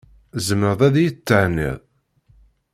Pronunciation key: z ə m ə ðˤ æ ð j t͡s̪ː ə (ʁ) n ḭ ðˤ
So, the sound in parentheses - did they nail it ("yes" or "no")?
no